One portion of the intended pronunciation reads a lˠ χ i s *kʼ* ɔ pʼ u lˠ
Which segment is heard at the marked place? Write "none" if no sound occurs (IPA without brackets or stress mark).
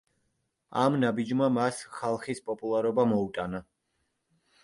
pʼ